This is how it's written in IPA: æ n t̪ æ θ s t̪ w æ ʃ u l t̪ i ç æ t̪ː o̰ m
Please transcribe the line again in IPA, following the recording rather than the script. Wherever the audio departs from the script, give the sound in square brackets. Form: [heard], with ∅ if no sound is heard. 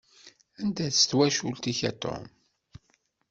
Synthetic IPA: æ n [d̪] æ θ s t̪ w æ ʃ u l t̪ i ç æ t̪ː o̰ m